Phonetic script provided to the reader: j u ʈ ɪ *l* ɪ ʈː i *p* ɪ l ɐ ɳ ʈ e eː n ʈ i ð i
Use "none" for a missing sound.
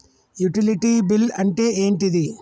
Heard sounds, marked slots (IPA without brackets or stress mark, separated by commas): l, b